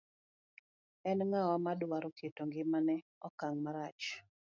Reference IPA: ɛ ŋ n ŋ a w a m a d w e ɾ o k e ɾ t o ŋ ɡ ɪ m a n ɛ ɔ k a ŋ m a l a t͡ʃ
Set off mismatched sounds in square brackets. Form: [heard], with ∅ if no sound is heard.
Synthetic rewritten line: ɛ [∅] n ŋ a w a m a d w [a] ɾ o k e [∅] t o ŋ ɡ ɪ m a n ɛ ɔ k a ŋ m a [ɾ] a t͡ʃ

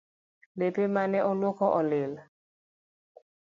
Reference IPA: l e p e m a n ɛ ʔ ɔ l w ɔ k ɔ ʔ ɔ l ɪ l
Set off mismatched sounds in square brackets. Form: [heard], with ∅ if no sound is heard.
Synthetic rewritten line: l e p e m a n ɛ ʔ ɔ l w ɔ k ɔ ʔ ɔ l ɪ l

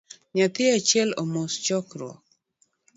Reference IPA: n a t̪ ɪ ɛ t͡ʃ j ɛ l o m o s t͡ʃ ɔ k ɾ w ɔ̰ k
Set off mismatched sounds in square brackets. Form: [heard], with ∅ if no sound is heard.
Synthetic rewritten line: [ɲ] a t̪ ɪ [a] t͡ʃ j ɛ l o m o s t͡ʃ ɔ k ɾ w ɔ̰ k

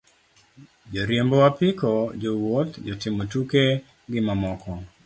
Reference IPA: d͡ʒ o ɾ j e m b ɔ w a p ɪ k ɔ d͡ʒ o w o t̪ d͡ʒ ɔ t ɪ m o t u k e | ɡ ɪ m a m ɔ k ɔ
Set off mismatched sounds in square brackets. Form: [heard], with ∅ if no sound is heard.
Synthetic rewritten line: d͡ʒ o ɾ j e m b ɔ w a p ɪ k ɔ d͡ʒ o w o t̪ d͡ʒ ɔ t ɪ m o t u k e | ɡ ɪ m a m ɔ k ɔ

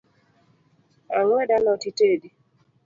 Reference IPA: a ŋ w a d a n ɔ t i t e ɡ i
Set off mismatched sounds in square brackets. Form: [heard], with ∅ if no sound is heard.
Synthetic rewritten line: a ŋ w [ɛ] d a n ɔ t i t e [d] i

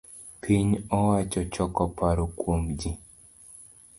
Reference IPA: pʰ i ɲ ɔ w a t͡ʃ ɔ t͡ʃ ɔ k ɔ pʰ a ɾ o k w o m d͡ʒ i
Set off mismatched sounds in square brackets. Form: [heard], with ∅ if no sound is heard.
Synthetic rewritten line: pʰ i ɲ ɔ w a t͡ʃ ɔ t͡ʃ ɔ k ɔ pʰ a ɾ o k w o m d͡ʒ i

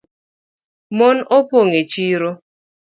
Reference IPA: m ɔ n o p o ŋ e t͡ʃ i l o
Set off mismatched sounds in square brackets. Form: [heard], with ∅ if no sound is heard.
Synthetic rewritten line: m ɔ n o p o ŋ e t͡ʃ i [ɾ] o

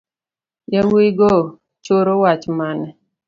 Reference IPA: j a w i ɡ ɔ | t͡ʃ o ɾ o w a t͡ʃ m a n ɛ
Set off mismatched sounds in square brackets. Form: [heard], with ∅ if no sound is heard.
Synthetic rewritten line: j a w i ɡ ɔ | t͡ʃ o ɾ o w a t͡ʃ m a n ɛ

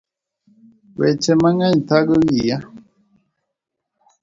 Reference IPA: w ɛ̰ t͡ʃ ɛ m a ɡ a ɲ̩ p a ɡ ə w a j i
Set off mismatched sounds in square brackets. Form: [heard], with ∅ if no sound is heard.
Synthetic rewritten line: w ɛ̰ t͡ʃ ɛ m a [ŋ] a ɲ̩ [t] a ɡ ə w [i] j [a]

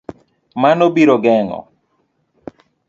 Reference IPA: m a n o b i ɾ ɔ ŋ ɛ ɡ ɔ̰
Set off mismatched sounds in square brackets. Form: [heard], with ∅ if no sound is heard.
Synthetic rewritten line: m a n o b i ɾ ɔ [ɡ] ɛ [ŋ] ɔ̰

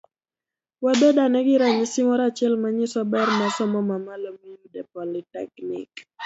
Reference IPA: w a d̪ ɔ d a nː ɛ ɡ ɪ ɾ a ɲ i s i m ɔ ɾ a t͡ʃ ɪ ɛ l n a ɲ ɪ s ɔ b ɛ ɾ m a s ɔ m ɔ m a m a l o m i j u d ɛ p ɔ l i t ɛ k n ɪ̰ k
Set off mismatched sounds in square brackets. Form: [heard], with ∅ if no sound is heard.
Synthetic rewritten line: w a d̪ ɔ d a [n] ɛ ɡ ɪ ɾ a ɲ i s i m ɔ ɾ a t͡ʃ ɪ ɛ l [m] a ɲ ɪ s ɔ b ɛ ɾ m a s ɔ m ɔ m a m a l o m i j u d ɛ p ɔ l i t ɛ k n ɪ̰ k

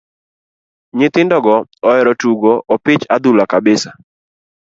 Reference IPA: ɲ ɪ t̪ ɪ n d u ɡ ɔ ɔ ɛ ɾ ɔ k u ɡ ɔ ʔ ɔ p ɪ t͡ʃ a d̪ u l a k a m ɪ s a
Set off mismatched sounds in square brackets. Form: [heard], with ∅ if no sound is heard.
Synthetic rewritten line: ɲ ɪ t̪ ɪ n d [ɔ] ɡ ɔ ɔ ɛ ɾ ɔ [t] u ɡ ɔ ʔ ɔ p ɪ t͡ʃ a d̪ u l a k a [b] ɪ s a

